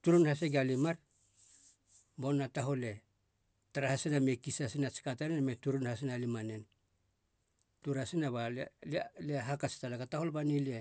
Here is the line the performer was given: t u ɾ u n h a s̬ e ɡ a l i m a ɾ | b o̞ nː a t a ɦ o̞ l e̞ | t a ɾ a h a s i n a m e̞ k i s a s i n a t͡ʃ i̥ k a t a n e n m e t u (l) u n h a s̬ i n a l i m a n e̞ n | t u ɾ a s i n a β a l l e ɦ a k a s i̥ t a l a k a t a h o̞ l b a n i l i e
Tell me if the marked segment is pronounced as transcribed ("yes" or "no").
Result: no